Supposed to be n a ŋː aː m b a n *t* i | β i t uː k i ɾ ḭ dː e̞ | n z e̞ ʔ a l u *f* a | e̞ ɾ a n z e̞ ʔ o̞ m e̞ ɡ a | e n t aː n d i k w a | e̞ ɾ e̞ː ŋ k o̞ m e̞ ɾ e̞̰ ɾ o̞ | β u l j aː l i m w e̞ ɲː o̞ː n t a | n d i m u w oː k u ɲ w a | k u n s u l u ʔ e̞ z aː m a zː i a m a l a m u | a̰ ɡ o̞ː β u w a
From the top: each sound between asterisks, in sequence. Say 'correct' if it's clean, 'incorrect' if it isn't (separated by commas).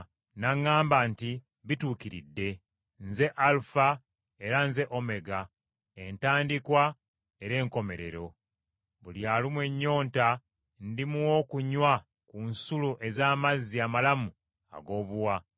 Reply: correct, correct